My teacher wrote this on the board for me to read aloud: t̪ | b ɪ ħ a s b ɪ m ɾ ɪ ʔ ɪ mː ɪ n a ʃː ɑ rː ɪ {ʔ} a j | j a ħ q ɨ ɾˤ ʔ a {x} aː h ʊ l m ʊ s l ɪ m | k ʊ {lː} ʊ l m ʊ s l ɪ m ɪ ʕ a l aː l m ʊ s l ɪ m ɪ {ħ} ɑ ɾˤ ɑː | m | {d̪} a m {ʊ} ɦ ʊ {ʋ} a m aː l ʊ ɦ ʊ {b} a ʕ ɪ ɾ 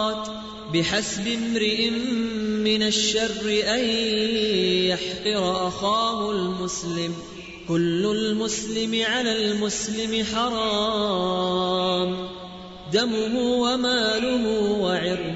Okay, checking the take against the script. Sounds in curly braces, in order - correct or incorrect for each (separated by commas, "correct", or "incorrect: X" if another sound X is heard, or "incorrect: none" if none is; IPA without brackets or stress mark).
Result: correct, correct, correct, correct, correct, correct, incorrect: w, incorrect: w